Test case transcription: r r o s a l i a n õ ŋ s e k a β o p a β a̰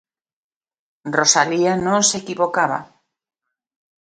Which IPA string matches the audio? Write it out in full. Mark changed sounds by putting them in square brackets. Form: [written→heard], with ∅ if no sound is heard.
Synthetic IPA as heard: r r o s a l i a n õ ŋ s e k [a→i] β o [p→k] a β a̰